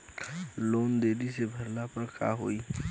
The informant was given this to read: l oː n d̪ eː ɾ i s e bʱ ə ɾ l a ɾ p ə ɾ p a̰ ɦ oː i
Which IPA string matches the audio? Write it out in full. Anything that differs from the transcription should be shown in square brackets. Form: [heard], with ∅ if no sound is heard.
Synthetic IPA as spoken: l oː n d̪ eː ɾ i s e bʱ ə ɾ l a [∅] p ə ɾ [k] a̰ ɦ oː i